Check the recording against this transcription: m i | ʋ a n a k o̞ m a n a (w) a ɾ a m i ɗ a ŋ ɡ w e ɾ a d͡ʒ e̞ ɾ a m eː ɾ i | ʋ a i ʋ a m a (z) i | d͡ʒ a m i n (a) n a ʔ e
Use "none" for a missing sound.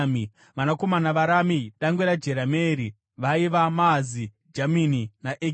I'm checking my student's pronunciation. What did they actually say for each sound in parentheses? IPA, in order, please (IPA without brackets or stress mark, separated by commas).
ʋ, z, i